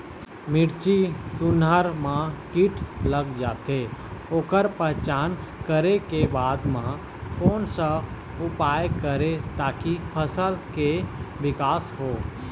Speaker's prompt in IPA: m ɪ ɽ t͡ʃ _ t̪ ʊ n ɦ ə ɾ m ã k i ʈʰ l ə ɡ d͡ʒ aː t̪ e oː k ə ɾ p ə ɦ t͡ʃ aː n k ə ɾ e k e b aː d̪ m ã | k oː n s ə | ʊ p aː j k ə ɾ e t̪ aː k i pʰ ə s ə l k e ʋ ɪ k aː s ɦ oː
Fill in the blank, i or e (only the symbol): i